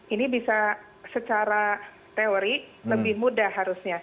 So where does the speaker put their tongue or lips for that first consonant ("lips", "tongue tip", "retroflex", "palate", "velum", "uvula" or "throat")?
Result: tongue tip